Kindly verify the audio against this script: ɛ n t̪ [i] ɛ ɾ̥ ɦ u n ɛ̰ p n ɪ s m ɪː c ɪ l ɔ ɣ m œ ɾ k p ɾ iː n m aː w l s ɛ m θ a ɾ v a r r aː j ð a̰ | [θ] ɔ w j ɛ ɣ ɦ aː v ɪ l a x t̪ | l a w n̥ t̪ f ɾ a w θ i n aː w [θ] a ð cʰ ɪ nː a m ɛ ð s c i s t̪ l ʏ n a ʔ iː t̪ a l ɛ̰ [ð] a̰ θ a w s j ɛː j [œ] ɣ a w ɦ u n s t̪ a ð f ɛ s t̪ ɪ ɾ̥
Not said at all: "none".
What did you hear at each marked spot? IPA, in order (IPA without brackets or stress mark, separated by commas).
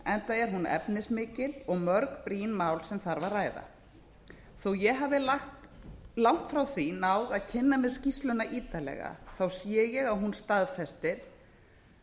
a, θ, ð, ɣ, ɛ